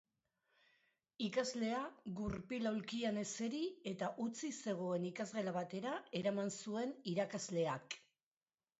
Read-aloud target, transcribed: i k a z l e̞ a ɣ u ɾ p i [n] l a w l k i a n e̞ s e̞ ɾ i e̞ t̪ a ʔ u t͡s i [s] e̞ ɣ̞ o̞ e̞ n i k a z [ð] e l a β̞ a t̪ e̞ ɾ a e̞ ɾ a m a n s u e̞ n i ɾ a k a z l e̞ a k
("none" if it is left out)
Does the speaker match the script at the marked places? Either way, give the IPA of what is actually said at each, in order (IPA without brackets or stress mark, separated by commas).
none, s, ɣ